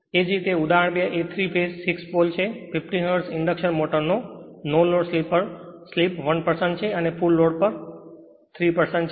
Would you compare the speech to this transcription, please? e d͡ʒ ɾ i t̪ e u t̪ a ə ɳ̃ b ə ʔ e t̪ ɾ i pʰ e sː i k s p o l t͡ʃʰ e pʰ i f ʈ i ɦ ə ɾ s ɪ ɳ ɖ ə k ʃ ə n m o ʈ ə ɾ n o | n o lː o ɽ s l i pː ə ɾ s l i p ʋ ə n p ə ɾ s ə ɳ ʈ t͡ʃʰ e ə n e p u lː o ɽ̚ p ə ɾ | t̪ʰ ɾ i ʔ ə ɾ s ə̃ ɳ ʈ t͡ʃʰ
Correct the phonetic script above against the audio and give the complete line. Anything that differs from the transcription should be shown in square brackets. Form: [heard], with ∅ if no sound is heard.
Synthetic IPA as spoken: e d͡ʒ ɾ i t̪ e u [d̪] a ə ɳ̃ b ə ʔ e [t̪ʰ] ɾ i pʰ e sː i k s p o l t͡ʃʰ e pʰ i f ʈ i ɦ ə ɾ s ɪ ɳ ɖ ə k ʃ ə n m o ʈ ə ɾ n o | n o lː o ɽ s l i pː ə ɾ s l i p ʋ ə n p ə ɾ s ə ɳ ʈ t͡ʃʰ e ə n e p u lː o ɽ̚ p ə ɾ | t̪ʰ ɾ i [p] ə ɾ s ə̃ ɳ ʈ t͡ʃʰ